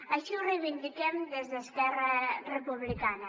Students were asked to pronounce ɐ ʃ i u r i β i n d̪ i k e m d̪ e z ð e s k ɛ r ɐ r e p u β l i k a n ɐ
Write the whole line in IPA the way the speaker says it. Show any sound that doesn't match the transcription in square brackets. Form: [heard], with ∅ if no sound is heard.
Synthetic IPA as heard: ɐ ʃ i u r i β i n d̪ i k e m d̪ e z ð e s k ɛ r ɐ r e p u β l i k a n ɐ